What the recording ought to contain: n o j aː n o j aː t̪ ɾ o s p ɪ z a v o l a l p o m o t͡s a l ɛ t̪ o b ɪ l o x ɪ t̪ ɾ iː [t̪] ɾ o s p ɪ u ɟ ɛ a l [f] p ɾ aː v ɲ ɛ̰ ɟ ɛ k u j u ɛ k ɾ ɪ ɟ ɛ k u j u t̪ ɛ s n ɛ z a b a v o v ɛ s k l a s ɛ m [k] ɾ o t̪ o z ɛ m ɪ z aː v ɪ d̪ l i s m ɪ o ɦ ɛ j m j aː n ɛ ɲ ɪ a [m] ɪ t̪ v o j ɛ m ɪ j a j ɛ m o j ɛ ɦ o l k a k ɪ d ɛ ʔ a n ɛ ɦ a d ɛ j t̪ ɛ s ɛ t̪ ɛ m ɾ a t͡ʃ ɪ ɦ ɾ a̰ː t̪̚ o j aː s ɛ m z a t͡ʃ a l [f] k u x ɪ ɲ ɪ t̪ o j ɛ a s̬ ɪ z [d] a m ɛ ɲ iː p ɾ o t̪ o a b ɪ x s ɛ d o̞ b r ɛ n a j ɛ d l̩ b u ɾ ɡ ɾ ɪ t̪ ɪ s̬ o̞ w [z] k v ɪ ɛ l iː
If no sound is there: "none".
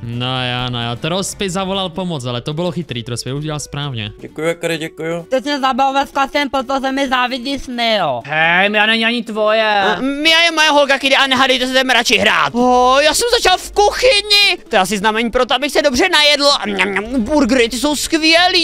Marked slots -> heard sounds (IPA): t̪, s, p, ɲ, f, n, s

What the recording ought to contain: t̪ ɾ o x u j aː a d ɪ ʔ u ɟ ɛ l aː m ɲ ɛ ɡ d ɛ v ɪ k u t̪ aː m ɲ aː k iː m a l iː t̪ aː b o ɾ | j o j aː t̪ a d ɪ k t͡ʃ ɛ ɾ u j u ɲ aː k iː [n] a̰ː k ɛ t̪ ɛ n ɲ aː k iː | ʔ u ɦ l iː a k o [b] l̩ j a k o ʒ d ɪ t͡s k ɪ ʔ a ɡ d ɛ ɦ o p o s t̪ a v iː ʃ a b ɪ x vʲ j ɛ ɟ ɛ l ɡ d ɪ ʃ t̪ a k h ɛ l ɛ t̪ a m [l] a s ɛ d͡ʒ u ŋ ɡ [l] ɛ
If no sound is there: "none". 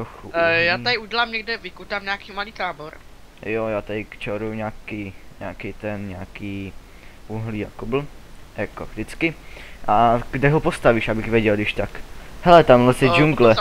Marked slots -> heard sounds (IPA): ɲ, b, l, l

